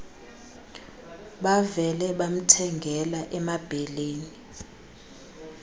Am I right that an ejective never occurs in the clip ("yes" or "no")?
yes